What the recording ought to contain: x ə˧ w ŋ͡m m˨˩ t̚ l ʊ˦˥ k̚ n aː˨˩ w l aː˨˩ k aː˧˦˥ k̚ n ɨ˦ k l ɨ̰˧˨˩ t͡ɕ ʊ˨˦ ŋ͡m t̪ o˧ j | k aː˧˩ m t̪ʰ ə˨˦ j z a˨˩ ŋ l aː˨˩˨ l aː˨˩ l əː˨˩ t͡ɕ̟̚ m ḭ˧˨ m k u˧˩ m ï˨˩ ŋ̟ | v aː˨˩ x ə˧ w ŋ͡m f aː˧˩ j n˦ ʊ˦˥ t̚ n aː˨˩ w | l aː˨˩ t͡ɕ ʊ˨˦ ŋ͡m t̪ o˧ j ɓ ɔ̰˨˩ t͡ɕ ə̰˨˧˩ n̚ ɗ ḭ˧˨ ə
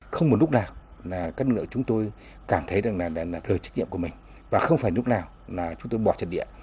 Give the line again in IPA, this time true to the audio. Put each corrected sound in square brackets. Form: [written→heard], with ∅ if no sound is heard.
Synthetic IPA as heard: x ə˧ w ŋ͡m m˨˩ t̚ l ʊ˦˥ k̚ n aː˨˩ w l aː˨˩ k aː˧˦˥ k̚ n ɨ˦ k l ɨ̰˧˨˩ t͡ɕ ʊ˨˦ ŋ͡m t̪ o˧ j | k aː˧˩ m t̪ʰ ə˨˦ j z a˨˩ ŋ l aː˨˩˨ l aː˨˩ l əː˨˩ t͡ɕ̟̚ [m→ɲ] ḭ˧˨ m k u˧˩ m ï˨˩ ŋ̟ | v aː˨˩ x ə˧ w ŋ͡m f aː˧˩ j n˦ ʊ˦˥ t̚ n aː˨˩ w | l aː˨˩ t͡ɕ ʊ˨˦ ŋ͡m t̪ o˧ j ɓ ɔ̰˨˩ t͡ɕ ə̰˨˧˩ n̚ ɗ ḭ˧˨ ə